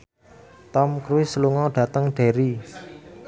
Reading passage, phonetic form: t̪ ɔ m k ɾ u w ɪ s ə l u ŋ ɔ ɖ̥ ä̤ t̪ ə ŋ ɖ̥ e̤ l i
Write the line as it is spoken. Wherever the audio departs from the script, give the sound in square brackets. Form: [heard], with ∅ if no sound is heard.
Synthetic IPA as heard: t̪ ɔ m k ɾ u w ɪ s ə l u ŋ ɔ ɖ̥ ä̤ t̪ ə ŋ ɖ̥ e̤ [ɾ] i